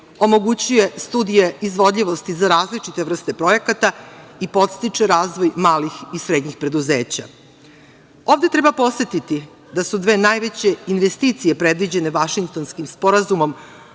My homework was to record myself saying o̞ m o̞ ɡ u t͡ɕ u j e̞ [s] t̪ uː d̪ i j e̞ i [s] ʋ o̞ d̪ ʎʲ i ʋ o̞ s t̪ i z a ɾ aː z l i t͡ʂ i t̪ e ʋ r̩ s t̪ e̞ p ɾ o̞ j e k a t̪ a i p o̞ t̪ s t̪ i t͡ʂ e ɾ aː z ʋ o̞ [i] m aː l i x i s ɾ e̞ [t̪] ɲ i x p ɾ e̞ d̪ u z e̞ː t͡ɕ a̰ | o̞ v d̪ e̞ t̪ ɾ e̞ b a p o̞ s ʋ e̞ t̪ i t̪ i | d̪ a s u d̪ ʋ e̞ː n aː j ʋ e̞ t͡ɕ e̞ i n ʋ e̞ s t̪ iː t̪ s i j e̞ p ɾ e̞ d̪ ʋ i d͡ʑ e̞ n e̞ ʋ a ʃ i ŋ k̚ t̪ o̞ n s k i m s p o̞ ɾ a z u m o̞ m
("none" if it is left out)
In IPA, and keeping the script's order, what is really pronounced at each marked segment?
s, z, j, d̪

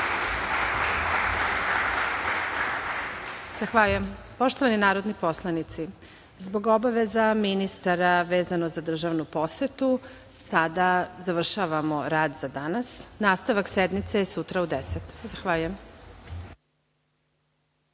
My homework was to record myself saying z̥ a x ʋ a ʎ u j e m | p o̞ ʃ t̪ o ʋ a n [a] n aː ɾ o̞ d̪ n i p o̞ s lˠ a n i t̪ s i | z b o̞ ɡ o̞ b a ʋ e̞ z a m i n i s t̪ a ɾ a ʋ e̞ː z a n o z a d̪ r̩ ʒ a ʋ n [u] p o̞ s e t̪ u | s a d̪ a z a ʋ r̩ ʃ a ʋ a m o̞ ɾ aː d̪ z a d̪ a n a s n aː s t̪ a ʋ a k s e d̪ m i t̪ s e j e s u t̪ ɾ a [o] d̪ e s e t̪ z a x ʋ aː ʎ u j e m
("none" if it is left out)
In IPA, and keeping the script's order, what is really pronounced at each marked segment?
i, u, u

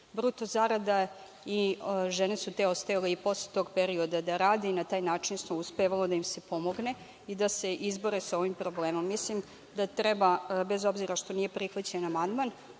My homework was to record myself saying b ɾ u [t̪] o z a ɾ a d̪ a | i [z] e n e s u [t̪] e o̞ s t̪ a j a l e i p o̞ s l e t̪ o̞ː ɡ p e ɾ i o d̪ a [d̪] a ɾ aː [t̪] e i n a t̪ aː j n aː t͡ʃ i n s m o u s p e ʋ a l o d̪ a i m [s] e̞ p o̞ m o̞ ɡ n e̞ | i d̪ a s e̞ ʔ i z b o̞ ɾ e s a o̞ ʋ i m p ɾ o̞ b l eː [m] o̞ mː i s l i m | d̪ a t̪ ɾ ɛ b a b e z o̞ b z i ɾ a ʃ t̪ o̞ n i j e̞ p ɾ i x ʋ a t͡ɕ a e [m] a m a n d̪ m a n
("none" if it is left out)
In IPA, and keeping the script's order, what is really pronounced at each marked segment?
t̪, ʒ, t̪, d̪, d̪, s, m, n

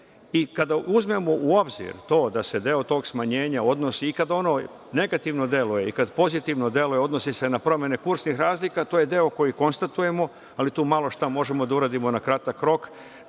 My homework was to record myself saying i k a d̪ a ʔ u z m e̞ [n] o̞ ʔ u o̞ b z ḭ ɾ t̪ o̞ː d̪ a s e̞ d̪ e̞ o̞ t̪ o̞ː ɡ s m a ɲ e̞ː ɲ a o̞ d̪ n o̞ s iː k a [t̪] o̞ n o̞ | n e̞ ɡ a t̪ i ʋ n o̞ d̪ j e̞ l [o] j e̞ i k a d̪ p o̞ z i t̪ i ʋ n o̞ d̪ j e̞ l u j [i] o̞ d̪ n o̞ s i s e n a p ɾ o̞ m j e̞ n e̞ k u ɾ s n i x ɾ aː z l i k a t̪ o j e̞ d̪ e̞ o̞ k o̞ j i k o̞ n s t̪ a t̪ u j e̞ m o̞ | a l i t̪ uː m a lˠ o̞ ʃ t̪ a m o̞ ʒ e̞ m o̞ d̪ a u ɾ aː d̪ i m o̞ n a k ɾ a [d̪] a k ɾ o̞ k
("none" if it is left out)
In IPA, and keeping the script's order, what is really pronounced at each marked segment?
m, d̪, u, e, t̪

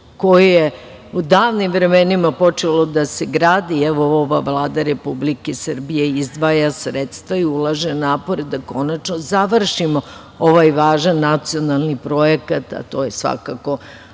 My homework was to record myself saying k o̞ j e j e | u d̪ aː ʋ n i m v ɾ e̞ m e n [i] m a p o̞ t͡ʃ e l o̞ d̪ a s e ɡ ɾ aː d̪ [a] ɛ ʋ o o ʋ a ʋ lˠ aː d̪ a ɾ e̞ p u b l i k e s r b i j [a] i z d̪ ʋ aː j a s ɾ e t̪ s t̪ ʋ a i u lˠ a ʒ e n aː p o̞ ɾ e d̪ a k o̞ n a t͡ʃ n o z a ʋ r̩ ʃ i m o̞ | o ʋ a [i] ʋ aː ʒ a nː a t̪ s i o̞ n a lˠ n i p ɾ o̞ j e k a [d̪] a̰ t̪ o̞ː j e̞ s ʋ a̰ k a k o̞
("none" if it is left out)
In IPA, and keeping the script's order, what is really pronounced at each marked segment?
i, i, e, j, t̪

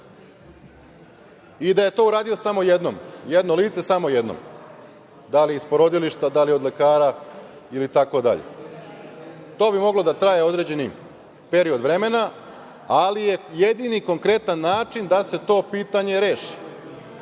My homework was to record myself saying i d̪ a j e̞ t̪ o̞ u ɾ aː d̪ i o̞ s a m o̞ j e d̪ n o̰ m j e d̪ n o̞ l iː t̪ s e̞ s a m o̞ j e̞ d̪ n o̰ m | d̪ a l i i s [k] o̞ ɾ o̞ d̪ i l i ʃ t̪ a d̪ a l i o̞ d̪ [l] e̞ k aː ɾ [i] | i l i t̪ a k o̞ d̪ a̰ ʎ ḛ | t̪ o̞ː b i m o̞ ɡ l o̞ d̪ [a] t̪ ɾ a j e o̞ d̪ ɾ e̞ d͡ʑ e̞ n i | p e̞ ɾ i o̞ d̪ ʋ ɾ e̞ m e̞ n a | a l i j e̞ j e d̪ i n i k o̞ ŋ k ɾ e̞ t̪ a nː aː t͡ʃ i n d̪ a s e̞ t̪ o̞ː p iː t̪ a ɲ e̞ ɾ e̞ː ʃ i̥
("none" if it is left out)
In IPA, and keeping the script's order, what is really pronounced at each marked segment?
p, l, a, a

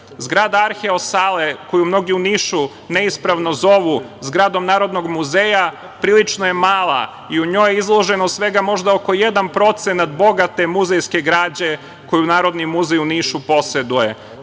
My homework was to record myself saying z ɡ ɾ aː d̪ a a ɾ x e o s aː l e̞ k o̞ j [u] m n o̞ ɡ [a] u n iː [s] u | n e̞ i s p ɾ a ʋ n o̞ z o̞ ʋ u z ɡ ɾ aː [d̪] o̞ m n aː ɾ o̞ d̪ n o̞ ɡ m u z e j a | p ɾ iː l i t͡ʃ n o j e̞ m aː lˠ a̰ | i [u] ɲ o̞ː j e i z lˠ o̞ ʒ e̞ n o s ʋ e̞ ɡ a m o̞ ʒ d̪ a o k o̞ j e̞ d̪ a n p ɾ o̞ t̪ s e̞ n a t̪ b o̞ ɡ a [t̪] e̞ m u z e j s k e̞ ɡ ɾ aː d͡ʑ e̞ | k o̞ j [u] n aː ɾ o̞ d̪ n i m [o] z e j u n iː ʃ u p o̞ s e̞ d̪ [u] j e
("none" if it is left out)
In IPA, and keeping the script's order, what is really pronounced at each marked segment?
u, i, ʃ, d̪, u, t̪, u, u, u

